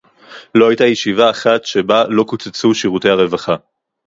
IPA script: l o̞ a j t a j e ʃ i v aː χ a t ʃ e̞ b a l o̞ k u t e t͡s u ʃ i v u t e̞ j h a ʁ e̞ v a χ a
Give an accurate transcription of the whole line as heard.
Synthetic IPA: l o̞ a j t a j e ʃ i v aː χ a t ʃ e̞ b a l o̞ k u t͡s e t͡s u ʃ i ʁ u t e̞ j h a ʁ e̞ v a χ a